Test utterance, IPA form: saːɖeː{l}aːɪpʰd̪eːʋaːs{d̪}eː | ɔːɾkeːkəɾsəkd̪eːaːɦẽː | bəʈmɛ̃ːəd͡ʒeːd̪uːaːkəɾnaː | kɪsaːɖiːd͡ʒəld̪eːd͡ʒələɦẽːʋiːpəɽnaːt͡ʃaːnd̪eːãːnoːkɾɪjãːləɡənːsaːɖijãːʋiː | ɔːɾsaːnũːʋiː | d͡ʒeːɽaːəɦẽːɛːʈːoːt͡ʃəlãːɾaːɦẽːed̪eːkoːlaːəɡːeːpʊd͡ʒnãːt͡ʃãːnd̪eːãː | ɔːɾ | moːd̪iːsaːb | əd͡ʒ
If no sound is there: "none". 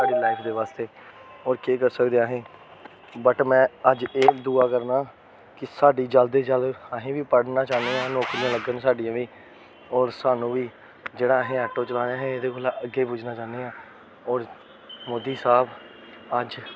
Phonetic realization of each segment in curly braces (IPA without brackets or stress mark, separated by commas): l, t̪